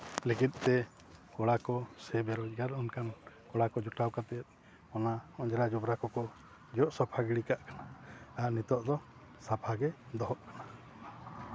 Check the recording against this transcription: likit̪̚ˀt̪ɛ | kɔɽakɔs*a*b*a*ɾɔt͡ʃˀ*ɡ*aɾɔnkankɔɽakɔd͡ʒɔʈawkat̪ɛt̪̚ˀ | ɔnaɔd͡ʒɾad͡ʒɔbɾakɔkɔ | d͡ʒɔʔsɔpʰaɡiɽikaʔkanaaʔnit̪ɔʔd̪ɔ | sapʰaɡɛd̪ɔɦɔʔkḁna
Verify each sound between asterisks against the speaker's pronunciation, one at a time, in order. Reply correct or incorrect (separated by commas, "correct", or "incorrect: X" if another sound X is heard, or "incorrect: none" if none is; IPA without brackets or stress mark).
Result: incorrect: ɛ, incorrect: ɛ, correct